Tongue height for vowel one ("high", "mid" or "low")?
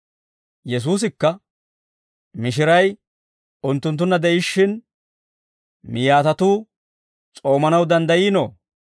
mid